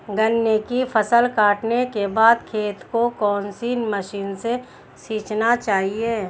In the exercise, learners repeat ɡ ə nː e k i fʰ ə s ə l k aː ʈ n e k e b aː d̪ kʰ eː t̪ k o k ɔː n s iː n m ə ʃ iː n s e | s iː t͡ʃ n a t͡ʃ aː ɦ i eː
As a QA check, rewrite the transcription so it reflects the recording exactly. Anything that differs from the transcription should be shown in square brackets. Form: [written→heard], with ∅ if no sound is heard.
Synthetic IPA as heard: ɡ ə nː e k i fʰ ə s ə l k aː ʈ n e k e b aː d̪ kʰ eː t̪ k o k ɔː n s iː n m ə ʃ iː n s e | s iː t͡ʃ n a t͡ʃ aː ɦ i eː